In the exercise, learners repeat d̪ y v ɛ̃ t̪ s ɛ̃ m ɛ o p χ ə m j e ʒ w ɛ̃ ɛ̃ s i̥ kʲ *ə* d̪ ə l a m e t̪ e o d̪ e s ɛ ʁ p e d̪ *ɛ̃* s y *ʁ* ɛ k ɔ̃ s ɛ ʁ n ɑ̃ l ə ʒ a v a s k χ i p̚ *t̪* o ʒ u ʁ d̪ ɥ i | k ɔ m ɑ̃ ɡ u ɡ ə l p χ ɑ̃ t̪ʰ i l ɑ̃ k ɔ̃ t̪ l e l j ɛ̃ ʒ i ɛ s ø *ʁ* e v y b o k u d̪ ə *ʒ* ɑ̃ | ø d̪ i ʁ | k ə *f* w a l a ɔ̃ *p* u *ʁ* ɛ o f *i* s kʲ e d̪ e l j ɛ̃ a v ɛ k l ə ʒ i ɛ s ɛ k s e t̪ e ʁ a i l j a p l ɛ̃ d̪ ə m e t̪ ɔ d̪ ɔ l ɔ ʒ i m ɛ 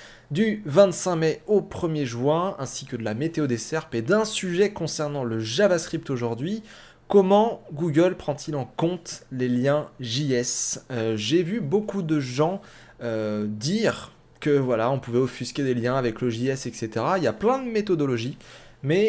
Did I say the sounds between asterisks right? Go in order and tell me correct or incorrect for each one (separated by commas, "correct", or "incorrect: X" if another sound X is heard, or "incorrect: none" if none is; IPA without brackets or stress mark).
correct, correct, incorrect: ʒ, correct, incorrect: ʒ, correct, incorrect: v, correct, incorrect: v, incorrect: y